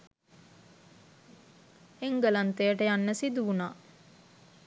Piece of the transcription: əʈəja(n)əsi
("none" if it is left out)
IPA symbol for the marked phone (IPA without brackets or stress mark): nː